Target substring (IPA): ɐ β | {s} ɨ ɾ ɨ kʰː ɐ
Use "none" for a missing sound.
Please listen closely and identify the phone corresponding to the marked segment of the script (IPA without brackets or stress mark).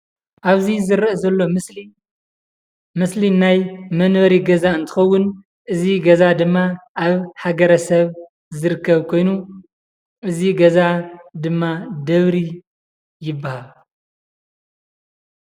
z